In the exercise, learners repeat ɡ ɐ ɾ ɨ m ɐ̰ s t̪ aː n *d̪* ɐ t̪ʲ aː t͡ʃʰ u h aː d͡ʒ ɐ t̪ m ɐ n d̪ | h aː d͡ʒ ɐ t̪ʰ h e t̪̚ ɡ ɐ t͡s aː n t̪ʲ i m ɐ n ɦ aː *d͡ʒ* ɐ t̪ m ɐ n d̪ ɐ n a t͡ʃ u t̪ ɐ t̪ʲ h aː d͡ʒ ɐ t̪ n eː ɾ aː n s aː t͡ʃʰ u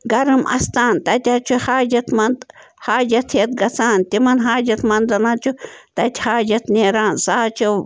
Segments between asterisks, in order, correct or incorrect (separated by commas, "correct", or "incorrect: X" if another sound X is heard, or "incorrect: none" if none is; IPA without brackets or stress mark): incorrect: t̪, correct